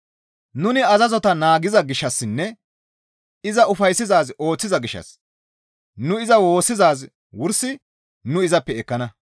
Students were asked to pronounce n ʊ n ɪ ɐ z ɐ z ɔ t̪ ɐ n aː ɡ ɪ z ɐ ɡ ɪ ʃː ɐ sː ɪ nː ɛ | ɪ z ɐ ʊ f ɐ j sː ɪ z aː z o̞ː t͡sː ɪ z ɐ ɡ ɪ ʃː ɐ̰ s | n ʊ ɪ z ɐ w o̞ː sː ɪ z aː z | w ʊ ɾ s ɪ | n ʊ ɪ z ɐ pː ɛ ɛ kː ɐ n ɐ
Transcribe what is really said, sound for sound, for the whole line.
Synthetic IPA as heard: n ʊ n ɪ ɐ z ɐ z ɔ t̪ ɐ n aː ɡ ɪ z ɐ ɡ ɪ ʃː ɐ sː ɪ nː ɛ | ɪ z ɐ ʊ f ɐ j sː ɪ z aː z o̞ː t͡sː ɪ z ɐ ɡ ɪ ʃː ɐ̰ s | n ʊ ɪ z ɐ w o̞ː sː ɪ z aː z | w ʊ ɾ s ɪ | n ʊ ɪ z ɐ pː ɛ ɛ kː ɐ n ɐ

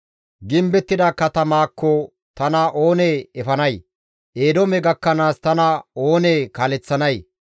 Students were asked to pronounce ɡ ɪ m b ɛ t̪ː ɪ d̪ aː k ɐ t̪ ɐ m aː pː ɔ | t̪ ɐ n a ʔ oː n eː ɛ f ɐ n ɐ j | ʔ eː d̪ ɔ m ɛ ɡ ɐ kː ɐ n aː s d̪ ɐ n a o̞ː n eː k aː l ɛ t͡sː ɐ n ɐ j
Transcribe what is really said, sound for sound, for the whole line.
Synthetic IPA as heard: ɡ ɪ m b ɛ t̪ː ɪ d̪ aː k ɐ t̪ ɐ m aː kː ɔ | t̪ ɐ n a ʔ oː n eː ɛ f ɐ n ɐ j | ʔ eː d̪ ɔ m ɛ ɡ ɐ kː ɐ n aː s t̪ ɐ n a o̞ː n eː k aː l ɛ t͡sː ɐ n ɐ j

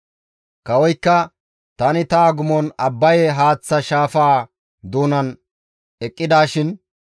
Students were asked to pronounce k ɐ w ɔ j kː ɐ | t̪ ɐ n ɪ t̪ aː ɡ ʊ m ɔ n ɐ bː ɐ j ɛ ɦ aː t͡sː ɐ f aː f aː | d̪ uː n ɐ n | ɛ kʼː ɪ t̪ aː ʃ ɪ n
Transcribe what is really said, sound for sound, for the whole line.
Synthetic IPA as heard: k ɐ w ɔ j kː ɐ | t̪ ɐ n ɪ t̪ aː ɡ ʊ m ɔ n ɐ bː ɐ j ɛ ɦ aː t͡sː ɐ ʃ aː f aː | d̪ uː n ɐ n | ɛ kʼː ɪ d̪ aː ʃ ɪ n

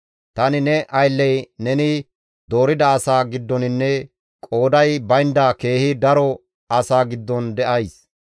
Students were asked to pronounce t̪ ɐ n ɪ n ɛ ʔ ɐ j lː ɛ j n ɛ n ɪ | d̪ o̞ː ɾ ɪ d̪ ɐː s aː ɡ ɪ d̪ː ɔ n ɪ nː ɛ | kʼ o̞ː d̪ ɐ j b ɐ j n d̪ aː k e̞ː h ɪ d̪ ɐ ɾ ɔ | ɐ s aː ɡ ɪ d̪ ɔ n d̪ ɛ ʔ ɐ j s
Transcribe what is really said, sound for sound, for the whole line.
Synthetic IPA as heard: t̪ ɐ n ɪ n ɛ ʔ ɐ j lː ɛ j n ɛ n ɪ | d̪ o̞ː ɾ ɪ d̪ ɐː s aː ɡ ɪ d̪ː ɔ n ɪ nː ɛ | kʼ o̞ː d̪ ɐ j b ɐ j n d̪ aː k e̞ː h ɪ d̪ ɐ ɾ ɔ | ɐ s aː ɡ ɪ d̪ː ɔ n d̪ ɛ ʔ ɐ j s

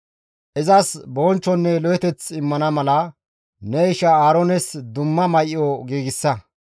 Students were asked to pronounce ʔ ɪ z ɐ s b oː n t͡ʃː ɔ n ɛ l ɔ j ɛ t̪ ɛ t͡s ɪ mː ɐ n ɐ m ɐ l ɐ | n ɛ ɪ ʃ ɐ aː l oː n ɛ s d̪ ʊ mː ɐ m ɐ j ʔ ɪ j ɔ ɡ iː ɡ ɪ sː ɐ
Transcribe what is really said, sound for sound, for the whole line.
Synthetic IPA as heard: ʔ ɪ z ɐ s b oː n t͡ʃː ɔ nː ɛ l ɔ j ɛ t̪ ɛ t͡s ɪ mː ɐ n ɐ m ɐ l ɐ | n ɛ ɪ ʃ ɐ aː ɾ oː n ɛ s d̪ ʊ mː ɐ m ɐ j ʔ ɪ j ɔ ɡ iː ɡ ɪ sː ɐ

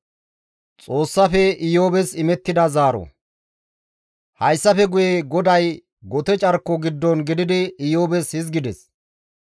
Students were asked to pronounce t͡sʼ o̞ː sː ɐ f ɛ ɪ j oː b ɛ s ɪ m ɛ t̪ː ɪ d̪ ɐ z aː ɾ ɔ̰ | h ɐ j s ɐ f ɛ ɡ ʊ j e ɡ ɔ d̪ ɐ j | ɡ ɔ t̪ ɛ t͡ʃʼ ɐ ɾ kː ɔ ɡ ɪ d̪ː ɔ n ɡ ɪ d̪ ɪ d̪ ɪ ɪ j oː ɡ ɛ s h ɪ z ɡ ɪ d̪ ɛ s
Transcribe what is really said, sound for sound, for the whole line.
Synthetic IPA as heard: t͡sʼ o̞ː sː ɐ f ɛ ɪ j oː b ɛ s ɪ m ɛ t̪ː ɪ d̪ ɐ z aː ɾ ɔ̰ | h ɐ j sː ɐ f ɛ ɡ ʊ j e ɡ ɔ d̪ ɐ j | ɡ ɔ t̪ ɛ t͡ʃʼ ɐ ɾ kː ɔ ɡ ɪ d̪ː ɔ n ɡ ɪ d̪ ɪ d̪ ɪ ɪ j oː b ɛ s h ɪ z ɡ ɪ d̪ ɛ s

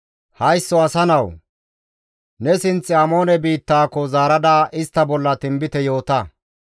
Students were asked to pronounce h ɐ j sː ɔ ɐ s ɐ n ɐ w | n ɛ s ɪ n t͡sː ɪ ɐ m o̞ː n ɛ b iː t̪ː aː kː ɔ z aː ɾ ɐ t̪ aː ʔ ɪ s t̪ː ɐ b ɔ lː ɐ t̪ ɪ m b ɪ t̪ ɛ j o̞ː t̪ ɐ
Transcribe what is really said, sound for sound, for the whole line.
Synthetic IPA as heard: h ɐ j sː ɔ ɐ s ɐ n ɐ w | n ɛ s ɪ n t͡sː ɪ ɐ m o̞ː n ɛ b iː t̪ː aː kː ɔ z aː ɾ ɐ d̪ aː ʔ ɪ s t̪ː ɐ b ɔ lː ɐ t̪ ɪ m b ɪ t̪ ɛ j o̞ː t̪ ɐ

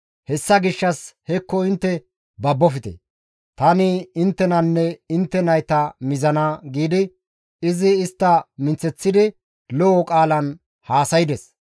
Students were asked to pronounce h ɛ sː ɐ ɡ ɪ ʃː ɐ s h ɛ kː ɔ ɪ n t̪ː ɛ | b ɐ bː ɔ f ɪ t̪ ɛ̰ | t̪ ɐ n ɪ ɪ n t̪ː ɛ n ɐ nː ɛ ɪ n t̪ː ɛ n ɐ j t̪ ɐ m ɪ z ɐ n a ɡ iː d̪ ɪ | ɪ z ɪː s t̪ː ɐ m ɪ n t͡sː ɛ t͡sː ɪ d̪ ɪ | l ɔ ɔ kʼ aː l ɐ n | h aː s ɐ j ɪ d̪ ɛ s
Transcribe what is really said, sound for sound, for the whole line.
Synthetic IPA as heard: h ɛ sː ɐ ɡ ɪ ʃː ɐ s h ɛ kː ɔ ɪ n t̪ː ɛ | b ɐ bː ɔ f ɪ t̪ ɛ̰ | t̪ ɐ n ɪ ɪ n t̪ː ɛ n ɐ nː ɛ ɪ n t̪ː ɛ n ɐ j t̪ ɐ m ɪ z ɐ n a ɡ iː d̪ ɪ | ɪ z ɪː s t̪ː ɐ m ɪ n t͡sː ɛ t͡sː ɪ d̪ ɪ | l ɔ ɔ kʼ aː l ɐ n | h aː s ɐ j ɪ d̪ ɛ s

